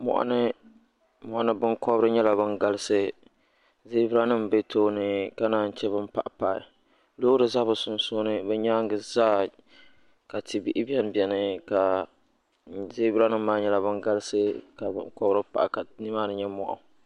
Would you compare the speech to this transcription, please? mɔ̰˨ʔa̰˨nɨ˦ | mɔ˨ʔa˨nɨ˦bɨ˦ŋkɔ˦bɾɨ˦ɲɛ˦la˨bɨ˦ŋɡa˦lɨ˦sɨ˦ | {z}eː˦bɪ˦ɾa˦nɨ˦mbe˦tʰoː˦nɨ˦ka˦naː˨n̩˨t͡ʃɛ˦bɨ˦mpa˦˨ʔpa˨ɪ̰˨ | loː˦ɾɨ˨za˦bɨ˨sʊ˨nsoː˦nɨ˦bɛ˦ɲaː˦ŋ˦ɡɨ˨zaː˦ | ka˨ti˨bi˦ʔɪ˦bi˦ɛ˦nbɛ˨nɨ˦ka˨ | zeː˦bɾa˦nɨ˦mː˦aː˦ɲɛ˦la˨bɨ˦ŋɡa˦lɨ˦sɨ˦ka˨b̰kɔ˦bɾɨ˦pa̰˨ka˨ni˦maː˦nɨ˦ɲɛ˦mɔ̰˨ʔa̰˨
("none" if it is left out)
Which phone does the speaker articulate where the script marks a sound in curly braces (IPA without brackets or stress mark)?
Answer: z